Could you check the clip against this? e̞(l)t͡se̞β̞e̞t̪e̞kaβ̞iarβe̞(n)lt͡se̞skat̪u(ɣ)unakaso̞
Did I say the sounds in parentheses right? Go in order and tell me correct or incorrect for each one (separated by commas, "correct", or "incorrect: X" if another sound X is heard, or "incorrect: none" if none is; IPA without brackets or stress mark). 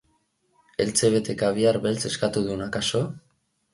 correct, incorrect: none, incorrect: ð